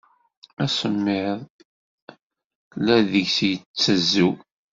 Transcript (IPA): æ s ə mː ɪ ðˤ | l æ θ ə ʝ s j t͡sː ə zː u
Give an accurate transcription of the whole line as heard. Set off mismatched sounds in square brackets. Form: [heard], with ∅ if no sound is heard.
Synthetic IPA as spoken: æ s ə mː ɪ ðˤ | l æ [ð] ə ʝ s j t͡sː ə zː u